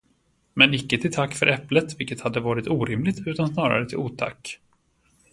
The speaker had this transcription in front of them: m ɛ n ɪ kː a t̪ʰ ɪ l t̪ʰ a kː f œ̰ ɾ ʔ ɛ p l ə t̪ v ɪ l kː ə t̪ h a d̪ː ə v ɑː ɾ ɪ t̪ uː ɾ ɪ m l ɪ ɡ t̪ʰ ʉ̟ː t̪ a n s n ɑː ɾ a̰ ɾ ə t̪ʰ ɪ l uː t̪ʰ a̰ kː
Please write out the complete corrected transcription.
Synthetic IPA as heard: m ɛ n ɪ kː ə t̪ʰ ɪ l t̪ʰ a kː f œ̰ ɾ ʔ ɛ p l ə t̪ v ɪ l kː ə t̪ h a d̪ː ə v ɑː ɾ ɪ t̪ uː ɾ ɪ m l ɪ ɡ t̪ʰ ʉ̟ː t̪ a n s n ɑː ɾ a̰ ɾ ə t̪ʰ ɪ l uː t̪ʰ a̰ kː